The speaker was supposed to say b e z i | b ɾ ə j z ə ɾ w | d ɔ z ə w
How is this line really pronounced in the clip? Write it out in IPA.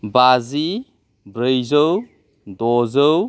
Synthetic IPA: b a z i | b ɾ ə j z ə w | d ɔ z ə w